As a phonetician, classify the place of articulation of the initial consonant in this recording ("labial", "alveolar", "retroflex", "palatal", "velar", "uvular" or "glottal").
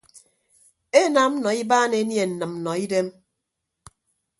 alveolar